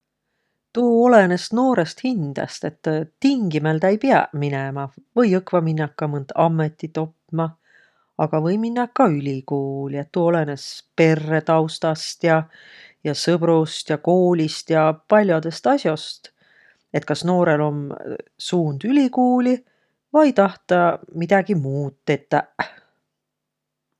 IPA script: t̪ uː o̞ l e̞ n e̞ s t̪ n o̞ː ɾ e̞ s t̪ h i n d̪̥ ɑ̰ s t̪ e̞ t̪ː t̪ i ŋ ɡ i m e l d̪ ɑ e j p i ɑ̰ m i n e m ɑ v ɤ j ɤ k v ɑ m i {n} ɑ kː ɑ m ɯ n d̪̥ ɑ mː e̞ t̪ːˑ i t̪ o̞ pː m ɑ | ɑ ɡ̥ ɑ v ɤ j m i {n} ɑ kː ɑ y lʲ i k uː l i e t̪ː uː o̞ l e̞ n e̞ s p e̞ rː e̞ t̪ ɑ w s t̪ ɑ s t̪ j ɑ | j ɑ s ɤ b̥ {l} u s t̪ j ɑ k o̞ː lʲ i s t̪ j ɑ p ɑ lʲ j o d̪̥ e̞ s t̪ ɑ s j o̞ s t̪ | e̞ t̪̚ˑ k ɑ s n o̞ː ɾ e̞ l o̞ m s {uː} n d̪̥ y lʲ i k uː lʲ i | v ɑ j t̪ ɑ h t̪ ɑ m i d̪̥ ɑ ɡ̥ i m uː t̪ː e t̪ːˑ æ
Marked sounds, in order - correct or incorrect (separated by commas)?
incorrect, incorrect, incorrect, correct